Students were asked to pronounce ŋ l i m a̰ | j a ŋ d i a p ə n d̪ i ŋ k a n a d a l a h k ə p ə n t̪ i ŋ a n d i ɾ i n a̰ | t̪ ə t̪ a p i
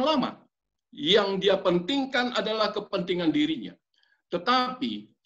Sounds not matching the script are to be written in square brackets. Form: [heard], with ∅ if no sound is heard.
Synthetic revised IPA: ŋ l [a] m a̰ | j a ŋ d i a p ə n [t̪] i ŋ k a n a d a l a h k ə p ə n t̪ i ŋ a n d i ɾ i [ɲ] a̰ | t̪ ə t̪ a p i

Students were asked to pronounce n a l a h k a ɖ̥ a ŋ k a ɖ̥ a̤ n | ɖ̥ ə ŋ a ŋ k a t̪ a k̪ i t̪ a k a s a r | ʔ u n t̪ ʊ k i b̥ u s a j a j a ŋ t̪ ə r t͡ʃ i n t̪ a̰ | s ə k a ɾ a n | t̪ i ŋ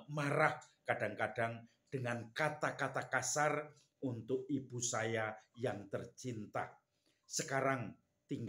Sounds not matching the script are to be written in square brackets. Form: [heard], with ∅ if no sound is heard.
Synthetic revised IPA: [m] a [ɾ] a h k a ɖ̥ a ŋ k a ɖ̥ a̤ [ŋ] | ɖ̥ ə ŋ a [n] k a t̪ a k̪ [a] t̪ a k a s a r | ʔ u n t̪ ʊ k i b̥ u s a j a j a ŋ t̪ ə r t͡ʃ i n t̪ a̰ | s ə k a ɾ a [ŋ] | t̪ i ŋ

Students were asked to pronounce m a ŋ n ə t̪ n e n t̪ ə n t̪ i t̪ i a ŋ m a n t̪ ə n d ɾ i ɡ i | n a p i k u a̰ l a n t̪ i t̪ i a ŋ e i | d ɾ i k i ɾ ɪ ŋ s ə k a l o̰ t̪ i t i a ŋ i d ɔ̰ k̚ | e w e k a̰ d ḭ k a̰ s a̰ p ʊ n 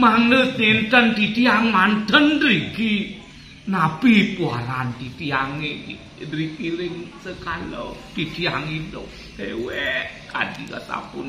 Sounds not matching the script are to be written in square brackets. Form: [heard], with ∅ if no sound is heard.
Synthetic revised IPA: m a ŋ n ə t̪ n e n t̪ ə n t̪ i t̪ i a ŋ m a n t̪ ə n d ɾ i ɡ i | n a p i [p] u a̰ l a n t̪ i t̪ i a ŋ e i | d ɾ i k i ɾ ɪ ŋ s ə k a l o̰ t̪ i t i a ŋ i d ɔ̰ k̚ | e w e k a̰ d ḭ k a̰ s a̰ p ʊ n

